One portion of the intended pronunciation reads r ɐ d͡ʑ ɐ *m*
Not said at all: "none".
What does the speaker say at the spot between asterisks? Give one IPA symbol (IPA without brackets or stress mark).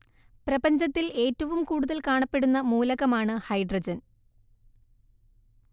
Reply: n